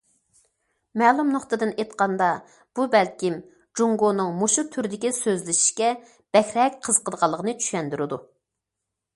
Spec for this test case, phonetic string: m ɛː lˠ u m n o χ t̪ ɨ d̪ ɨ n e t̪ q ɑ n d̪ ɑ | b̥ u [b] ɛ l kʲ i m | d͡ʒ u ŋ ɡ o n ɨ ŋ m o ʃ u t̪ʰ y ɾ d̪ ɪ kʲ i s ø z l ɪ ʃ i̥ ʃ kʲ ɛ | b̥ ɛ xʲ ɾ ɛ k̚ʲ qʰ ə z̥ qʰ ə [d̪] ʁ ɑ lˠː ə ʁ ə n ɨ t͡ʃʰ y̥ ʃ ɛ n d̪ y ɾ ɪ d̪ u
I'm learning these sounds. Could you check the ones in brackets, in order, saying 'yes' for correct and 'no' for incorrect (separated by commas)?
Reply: yes, yes